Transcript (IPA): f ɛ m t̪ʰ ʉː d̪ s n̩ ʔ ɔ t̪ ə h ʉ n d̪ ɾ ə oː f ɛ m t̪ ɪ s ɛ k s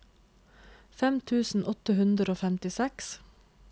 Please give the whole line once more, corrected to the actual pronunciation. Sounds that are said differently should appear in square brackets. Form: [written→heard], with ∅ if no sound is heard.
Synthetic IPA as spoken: f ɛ m t̪ʰ ʉː [d̪→∅] s n̩ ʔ ɔ t̪ ə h ʉ n d̪ ɾ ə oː f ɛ m t̪ ɪ s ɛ k s